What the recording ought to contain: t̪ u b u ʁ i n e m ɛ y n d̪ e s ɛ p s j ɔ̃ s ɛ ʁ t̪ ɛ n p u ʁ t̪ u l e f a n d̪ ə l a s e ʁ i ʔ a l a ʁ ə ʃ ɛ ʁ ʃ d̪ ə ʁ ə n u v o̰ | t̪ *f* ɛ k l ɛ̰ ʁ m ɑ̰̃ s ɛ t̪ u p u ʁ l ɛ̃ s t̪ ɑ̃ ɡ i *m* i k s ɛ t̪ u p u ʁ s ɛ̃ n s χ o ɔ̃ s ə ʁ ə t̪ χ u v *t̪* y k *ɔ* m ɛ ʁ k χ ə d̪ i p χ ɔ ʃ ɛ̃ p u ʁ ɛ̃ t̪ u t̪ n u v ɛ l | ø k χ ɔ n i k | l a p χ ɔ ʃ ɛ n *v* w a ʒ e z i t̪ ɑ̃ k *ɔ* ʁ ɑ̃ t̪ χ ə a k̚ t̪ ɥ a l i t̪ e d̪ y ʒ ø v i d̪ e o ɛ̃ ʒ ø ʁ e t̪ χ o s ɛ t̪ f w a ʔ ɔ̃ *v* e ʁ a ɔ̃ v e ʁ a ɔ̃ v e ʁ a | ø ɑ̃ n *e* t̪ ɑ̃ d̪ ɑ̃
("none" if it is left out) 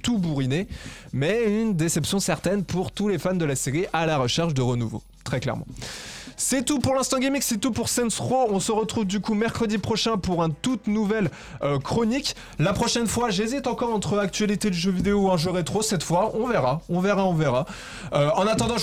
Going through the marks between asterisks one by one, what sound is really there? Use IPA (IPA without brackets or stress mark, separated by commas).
χ, m, d̪, u, f, ɔ, v, a